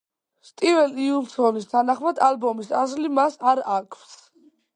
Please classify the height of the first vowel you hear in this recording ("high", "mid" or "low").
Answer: high